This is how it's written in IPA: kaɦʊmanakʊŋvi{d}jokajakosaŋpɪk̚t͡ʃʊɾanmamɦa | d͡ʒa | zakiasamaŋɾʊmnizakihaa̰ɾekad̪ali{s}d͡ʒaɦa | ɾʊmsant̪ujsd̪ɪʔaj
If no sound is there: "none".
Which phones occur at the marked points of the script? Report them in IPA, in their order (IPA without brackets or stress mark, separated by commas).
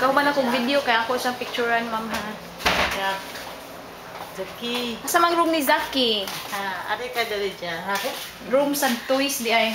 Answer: d, none